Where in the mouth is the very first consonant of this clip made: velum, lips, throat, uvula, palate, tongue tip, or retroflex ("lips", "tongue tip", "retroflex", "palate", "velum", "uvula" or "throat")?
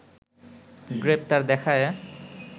velum